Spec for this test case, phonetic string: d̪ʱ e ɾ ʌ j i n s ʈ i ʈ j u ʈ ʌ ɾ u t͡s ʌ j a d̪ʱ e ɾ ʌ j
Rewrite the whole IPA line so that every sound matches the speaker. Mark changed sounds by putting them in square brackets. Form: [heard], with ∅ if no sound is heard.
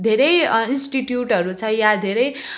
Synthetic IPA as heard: d̪ʱ e ɾ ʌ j i n s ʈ i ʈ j u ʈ ʌ ɾ u [t͡sʰ] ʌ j a d̪ʱ e ɾ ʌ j